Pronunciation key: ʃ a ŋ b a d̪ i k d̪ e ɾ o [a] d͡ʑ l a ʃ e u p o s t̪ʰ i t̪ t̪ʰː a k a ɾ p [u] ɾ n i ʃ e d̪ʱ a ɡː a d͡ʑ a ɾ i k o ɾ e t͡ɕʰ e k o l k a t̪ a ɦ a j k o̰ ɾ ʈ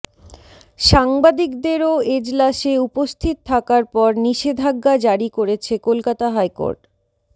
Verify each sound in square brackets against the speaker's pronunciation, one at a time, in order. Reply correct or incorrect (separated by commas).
incorrect, incorrect